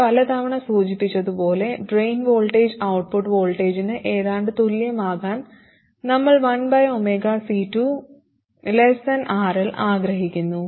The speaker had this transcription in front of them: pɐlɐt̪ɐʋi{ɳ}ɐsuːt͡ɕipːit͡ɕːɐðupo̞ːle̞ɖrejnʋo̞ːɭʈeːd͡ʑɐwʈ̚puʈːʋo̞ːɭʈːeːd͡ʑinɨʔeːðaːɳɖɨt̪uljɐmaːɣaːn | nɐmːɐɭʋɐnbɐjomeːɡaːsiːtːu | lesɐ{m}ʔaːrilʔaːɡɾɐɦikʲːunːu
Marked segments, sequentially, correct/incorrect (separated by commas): correct, incorrect